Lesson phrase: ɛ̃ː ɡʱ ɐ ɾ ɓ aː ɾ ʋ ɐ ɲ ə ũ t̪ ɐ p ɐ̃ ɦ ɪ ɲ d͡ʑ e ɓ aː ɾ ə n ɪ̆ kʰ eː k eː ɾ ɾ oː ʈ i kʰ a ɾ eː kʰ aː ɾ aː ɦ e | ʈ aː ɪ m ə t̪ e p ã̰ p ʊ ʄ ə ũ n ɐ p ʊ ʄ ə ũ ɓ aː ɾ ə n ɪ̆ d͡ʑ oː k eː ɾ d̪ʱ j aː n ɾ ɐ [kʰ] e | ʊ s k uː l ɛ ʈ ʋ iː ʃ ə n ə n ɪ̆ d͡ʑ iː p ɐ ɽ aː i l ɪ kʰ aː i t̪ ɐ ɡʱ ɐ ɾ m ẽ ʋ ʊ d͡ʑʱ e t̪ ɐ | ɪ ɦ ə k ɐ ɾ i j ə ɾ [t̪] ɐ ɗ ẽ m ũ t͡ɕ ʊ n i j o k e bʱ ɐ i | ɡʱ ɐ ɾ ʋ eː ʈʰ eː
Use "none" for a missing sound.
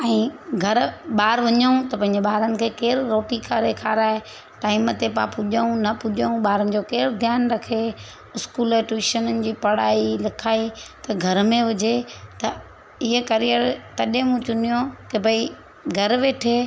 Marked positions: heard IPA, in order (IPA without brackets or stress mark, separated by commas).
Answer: kʰ, t̪